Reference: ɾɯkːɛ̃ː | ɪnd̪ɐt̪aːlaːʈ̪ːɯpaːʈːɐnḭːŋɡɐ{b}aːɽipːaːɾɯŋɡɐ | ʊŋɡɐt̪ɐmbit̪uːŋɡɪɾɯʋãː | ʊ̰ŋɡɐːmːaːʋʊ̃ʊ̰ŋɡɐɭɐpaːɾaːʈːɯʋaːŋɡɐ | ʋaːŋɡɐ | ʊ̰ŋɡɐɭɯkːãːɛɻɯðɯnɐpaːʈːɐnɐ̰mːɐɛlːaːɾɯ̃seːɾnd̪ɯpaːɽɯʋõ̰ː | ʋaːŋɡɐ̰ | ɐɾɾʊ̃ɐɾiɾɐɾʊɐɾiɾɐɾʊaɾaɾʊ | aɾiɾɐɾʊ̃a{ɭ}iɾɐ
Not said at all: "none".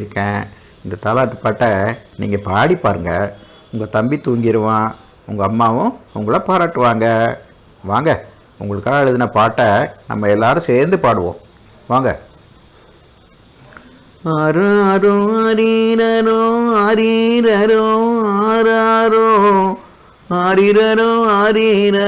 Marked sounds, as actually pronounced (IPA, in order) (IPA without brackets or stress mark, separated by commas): p, ɾ